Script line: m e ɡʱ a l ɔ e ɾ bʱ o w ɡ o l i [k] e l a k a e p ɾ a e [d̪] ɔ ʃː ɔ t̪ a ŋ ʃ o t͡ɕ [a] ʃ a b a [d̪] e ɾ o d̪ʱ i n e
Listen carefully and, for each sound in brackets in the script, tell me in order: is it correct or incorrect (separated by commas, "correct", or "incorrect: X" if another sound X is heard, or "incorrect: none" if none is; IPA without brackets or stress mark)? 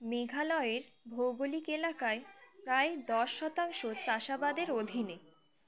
correct, correct, correct, correct